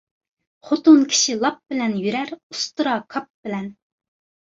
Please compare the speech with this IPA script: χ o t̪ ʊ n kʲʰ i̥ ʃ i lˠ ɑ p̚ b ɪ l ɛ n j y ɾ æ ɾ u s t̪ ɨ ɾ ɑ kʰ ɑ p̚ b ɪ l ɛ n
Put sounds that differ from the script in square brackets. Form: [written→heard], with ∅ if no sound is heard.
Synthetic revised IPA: χ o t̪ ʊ n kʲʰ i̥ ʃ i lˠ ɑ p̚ b ɪ l ɛ n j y ɾ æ ɾ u s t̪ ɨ ɾ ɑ kʰ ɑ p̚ b ɪ l ɛ n